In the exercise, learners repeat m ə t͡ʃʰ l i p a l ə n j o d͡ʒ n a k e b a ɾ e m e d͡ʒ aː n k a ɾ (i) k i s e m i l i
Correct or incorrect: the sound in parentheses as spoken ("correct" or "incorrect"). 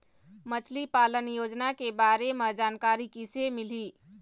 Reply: correct